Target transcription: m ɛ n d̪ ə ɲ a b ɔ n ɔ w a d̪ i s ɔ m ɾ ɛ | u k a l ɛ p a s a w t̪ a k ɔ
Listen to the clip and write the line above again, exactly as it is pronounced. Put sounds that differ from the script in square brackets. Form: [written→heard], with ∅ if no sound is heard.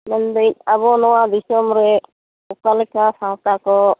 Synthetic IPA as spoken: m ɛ n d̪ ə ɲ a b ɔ n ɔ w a d̪ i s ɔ m ɾ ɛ | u k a l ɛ [p→k] a s a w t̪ a k ɔ